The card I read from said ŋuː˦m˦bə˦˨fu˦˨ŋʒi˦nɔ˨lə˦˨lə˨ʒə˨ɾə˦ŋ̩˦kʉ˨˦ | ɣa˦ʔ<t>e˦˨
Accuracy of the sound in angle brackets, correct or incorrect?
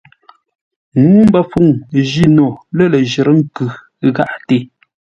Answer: correct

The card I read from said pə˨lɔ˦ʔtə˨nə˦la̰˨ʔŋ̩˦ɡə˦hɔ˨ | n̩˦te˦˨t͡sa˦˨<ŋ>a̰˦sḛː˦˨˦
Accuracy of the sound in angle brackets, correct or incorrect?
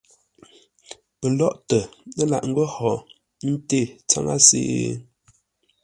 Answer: correct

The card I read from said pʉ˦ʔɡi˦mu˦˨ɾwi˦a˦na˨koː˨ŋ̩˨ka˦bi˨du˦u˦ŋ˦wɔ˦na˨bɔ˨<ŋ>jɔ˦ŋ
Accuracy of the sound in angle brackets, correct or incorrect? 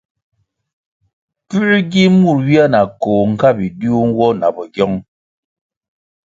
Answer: incorrect: ɡ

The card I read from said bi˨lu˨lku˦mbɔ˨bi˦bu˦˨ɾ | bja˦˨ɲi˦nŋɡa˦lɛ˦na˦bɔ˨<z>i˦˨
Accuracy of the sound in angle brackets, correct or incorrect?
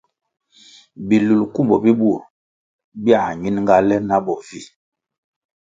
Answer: incorrect: v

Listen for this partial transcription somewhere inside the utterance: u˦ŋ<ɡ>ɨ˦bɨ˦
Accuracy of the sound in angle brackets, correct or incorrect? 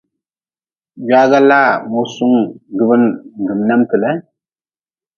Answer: correct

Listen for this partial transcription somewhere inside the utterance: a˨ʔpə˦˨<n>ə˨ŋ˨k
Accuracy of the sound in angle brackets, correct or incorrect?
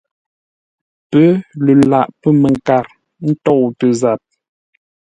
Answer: incorrect: m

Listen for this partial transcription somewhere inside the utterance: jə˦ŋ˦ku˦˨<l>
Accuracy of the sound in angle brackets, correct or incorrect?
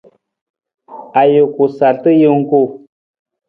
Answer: incorrect: none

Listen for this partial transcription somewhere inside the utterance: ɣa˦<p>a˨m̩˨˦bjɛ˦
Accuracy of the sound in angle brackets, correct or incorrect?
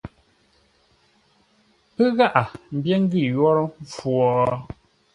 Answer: incorrect: ʔ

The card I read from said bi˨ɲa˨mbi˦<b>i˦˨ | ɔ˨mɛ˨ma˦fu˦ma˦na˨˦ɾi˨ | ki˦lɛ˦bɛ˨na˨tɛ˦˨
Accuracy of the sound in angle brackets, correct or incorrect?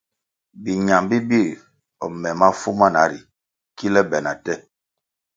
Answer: correct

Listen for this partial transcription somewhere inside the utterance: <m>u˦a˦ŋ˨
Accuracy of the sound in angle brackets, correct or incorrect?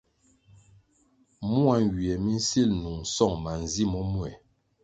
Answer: correct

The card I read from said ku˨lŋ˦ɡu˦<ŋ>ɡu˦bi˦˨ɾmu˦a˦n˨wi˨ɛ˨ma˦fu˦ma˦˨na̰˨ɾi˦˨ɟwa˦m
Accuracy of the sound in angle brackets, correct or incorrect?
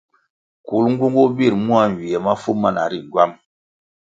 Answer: correct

